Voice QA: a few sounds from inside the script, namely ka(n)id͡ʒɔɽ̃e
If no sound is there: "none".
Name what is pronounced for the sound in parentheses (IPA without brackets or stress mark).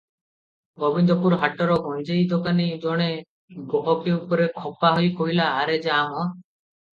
n